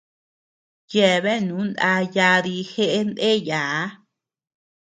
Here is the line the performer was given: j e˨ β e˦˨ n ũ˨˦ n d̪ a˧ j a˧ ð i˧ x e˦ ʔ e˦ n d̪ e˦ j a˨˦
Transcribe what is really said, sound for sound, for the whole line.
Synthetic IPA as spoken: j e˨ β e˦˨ n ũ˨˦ n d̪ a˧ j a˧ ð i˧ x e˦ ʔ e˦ n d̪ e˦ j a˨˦